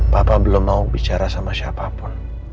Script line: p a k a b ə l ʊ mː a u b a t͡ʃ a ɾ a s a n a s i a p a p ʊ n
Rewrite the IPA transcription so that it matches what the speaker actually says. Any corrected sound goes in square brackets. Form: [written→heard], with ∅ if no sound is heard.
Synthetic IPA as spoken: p a [k→p] a b ə l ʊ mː a u b [a→i] t͡ʃ a ɾ a s a [n→m] a s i a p a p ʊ n